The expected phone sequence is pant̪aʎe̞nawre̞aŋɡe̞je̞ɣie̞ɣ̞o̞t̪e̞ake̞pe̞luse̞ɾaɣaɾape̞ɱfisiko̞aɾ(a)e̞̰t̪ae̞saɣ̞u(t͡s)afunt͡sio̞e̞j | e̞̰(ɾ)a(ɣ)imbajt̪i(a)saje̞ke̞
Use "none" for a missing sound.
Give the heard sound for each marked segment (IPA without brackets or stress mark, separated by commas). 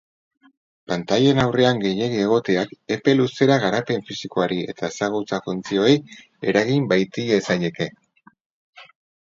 i, t͡s, ɾ, ɣ, e